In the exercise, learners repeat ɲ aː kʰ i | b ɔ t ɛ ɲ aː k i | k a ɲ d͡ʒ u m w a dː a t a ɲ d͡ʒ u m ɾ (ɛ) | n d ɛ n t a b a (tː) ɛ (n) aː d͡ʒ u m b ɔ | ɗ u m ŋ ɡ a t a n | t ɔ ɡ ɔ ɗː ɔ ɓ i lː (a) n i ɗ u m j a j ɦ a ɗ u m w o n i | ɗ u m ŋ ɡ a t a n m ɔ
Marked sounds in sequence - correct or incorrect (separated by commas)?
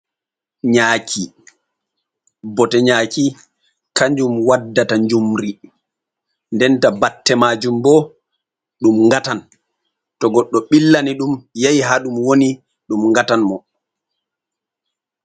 incorrect, correct, incorrect, correct